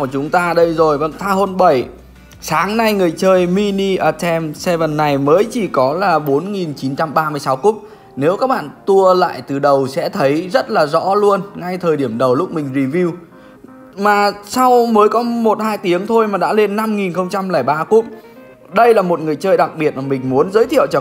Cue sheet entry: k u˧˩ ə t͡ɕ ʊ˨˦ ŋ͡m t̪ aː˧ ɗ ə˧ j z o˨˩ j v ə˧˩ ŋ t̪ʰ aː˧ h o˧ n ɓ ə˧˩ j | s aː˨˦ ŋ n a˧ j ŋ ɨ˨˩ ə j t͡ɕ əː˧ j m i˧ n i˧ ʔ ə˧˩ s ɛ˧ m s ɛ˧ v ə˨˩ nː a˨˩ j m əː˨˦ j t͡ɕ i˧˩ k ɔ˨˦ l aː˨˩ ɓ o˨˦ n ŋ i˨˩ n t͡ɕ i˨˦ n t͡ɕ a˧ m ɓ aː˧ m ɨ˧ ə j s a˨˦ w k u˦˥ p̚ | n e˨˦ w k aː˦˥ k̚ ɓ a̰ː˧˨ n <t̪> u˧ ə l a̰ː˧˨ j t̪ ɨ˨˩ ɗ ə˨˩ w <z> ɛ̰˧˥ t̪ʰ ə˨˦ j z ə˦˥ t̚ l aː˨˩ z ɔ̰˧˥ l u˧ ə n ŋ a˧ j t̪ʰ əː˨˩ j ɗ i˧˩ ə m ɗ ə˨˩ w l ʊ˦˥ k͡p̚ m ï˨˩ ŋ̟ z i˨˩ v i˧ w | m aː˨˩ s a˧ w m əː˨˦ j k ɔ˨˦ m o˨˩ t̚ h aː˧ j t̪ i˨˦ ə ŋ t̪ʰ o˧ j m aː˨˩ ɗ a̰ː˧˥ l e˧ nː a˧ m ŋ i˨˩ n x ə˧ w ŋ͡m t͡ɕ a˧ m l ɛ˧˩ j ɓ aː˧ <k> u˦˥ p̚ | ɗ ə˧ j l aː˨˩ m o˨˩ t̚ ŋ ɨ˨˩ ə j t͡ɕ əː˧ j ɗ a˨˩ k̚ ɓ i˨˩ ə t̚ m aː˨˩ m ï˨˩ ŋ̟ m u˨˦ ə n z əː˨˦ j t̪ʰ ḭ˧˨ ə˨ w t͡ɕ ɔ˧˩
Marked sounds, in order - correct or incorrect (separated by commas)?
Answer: correct, incorrect, correct